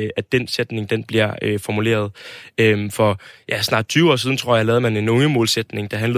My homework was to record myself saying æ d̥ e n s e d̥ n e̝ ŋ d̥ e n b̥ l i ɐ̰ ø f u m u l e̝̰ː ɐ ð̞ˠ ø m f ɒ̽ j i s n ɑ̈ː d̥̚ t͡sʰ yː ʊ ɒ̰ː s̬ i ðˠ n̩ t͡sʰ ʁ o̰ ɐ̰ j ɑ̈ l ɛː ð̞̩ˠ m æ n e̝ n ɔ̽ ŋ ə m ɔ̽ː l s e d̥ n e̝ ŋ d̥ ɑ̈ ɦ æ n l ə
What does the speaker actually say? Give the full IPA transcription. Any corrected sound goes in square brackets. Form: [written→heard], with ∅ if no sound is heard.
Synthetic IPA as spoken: æ d̥ e n s e d̥ n e̝ ŋ d̥ e n b̥ l i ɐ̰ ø f [u→ɒ] m u l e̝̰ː ɐ ð̞ˠ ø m f ɒ̽ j [i→æ] s n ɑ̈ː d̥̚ t͡sʰ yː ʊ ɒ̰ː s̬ i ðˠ n̩ t͡sʰ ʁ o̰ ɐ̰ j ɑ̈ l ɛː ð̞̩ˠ m æ n e̝ n ɔ̽ ŋ ə m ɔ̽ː l s e d̥ n e̝ ŋ d̥ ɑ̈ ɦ æ n l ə